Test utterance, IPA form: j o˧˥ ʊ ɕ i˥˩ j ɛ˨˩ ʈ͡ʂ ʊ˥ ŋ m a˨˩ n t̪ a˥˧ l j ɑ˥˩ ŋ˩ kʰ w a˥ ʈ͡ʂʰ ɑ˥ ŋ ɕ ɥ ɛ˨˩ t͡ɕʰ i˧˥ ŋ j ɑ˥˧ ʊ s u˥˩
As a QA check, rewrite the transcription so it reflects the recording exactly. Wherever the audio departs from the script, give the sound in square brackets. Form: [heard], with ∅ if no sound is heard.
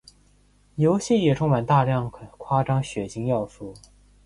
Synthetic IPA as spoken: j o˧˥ ʊ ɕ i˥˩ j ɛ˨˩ [ʈ͡ʂʰ] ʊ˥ ŋ m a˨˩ n t̪ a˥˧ l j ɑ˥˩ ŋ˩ kʰ w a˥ [ʈ͡ʂ] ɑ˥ ŋ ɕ ɥ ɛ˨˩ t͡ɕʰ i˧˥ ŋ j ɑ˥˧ ʊ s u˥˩